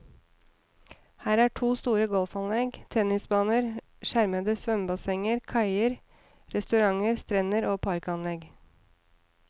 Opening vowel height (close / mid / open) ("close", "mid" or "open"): open